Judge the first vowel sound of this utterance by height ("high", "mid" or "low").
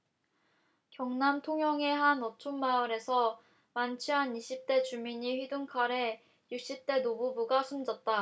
mid